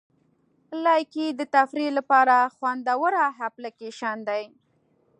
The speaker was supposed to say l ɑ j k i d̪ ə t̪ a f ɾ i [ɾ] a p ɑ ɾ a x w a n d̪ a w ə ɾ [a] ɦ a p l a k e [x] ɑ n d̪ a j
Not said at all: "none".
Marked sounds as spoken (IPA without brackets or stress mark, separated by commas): l, a, ʃ